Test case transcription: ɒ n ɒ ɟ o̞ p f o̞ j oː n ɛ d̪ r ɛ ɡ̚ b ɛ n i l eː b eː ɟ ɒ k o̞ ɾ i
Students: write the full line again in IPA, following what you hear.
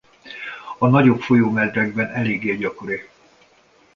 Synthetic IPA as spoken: ɒ n ɒ ɟ o̞ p f o̞ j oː m ɛ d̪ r ɛ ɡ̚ b ɛ n ɛ l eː ɡ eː ɟ ɒ k o̞ ɾ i